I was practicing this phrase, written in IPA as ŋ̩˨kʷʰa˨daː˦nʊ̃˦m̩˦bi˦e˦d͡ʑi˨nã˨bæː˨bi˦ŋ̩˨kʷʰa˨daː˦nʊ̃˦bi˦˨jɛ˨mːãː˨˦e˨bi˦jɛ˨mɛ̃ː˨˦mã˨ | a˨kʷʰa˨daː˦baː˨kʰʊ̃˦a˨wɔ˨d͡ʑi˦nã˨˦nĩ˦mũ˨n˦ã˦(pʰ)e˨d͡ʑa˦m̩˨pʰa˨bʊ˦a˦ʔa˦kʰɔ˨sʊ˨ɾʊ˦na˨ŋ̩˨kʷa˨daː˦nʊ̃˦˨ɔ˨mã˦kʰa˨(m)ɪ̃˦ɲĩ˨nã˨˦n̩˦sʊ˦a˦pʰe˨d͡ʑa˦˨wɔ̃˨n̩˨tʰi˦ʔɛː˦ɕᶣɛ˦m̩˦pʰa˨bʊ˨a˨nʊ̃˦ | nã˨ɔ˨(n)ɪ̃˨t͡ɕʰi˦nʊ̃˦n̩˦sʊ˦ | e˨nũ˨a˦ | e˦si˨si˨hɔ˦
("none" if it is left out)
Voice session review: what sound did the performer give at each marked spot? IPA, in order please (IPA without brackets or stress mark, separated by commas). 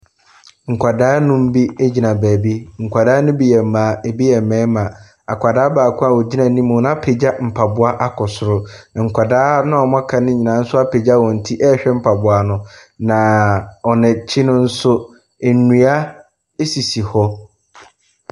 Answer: pʰ, n, n